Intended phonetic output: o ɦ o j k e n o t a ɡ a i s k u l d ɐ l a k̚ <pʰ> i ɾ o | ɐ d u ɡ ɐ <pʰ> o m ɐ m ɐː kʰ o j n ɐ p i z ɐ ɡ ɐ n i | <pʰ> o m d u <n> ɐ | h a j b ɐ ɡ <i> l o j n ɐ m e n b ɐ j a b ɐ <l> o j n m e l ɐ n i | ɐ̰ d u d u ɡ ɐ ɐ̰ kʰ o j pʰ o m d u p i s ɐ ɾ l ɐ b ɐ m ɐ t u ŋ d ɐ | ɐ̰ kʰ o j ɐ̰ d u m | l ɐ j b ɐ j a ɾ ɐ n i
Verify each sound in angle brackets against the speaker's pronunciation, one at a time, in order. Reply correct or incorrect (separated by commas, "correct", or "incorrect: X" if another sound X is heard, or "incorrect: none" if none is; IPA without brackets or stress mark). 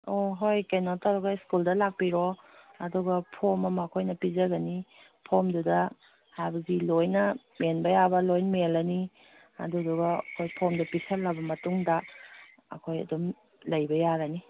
incorrect: p, correct, correct, incorrect: d, correct, correct